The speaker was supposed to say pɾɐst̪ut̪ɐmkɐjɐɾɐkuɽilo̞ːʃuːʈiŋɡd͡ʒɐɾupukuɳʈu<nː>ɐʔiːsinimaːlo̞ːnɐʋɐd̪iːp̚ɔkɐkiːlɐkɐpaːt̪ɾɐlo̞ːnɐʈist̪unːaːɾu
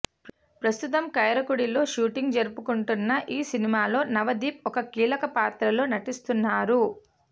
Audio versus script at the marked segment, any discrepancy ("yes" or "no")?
no